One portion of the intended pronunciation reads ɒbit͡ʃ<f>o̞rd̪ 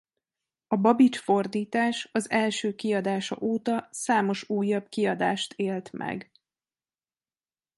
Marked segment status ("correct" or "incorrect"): correct